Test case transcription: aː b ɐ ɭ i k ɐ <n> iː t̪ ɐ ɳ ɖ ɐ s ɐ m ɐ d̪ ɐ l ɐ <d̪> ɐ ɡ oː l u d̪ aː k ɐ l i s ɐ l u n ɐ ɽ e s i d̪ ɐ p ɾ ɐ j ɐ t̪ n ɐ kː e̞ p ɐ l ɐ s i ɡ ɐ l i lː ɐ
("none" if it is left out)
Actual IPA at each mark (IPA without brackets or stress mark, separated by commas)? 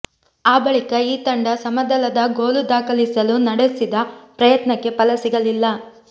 none, d̪